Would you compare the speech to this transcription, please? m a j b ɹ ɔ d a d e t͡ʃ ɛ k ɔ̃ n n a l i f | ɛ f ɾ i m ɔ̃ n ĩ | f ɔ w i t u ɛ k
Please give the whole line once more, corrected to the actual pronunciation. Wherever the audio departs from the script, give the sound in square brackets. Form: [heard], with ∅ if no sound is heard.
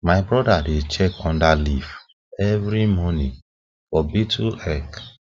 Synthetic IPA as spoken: m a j b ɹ ɔ d a d e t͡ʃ ɛ k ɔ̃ n [d] a l i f | ɛ [v] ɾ i m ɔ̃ n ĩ | f ɔ [b] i t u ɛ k